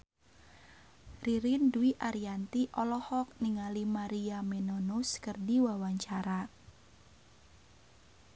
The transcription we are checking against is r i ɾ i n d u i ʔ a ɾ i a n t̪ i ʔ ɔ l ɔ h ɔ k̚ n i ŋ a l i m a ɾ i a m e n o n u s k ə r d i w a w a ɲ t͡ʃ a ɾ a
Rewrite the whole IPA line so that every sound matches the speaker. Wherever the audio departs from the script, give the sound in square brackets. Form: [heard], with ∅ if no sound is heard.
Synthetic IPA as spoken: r i ɾ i n d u i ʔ a ɾ i a n t̪ i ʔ ɔ l ɔ h ɔ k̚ n i ŋ a l i m a ɾ i a m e n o n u s k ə r d i w a w a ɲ t͡ʃ a ɾ a